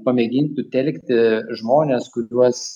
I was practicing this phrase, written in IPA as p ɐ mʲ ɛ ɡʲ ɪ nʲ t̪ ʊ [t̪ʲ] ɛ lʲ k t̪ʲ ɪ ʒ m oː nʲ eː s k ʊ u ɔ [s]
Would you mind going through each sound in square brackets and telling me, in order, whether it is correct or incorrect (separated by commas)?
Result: correct, correct